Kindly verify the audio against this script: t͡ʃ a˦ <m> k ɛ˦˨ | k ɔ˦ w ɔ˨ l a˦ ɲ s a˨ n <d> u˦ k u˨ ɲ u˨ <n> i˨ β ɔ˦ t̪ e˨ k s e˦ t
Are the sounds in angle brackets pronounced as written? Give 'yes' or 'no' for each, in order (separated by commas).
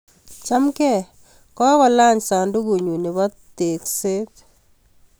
yes, yes, yes